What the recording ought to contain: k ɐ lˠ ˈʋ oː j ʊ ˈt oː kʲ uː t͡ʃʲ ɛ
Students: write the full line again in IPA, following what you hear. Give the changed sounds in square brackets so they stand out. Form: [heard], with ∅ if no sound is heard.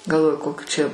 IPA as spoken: [ɡ] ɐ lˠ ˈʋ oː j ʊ [ˈk] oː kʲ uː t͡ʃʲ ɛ